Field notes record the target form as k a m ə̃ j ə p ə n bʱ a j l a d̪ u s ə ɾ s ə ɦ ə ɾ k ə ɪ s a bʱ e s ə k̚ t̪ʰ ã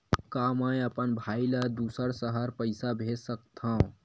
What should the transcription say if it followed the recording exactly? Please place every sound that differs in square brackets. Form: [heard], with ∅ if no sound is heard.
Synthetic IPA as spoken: k a m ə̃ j ə p ə n bʱ a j l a d̪ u s ə ɾ s ə ɦ ə ɾ [p] ə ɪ s a bʱ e s ə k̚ t̪ʰ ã